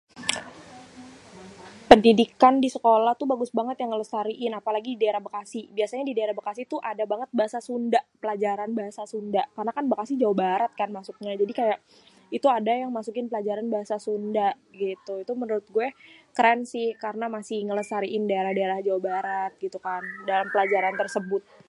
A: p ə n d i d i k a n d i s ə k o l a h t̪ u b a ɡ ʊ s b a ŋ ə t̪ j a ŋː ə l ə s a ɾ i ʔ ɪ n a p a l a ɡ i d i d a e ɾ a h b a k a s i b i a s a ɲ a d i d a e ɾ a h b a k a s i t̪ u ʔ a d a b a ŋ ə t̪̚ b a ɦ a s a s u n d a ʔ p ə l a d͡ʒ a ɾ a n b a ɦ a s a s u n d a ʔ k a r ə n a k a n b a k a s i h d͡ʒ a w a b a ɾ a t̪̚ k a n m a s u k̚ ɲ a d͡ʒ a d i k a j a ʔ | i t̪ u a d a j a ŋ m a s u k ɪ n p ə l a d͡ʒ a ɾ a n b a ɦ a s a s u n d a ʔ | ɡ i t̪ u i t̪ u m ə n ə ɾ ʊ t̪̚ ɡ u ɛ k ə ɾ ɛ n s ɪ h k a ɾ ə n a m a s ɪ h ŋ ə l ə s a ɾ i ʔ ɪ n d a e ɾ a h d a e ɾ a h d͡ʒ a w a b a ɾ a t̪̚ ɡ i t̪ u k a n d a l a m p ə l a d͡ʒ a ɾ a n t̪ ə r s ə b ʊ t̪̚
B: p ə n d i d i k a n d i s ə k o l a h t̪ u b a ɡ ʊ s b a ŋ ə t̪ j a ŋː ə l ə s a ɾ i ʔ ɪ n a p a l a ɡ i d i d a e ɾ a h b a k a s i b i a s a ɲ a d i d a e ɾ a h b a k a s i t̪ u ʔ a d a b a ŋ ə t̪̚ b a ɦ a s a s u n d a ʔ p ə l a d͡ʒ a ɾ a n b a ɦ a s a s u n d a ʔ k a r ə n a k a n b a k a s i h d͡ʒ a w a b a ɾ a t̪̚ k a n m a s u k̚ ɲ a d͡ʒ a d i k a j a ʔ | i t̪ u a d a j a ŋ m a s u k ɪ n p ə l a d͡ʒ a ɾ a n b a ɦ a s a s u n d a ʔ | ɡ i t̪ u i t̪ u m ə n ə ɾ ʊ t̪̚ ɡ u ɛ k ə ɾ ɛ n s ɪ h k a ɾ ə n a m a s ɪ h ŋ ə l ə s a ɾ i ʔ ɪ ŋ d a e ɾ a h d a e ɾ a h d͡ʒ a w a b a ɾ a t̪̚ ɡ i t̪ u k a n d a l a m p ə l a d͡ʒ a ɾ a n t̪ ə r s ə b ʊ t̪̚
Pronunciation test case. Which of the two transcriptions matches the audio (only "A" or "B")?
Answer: A